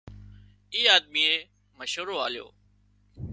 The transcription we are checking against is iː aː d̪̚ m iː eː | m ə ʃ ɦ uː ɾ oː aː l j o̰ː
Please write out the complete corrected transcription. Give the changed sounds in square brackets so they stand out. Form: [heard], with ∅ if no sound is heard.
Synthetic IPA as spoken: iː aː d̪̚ m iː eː | m ə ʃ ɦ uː ɾ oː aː l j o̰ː